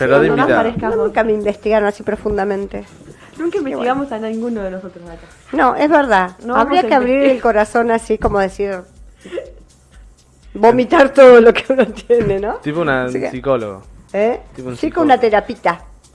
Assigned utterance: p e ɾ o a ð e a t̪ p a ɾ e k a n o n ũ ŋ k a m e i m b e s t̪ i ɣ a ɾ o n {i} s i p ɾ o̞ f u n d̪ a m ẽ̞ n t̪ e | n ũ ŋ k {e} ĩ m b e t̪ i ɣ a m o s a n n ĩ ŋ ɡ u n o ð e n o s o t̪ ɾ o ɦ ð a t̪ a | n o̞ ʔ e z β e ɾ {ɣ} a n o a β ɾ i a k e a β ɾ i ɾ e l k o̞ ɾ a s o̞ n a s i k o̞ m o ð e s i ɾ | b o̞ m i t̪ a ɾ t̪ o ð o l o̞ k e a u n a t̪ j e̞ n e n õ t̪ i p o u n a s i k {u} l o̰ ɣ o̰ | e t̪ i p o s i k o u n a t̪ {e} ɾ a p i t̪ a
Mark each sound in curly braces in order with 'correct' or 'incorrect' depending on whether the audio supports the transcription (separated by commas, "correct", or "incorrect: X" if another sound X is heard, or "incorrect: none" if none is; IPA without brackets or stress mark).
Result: incorrect: a, incorrect: a, incorrect: ð, incorrect: o, correct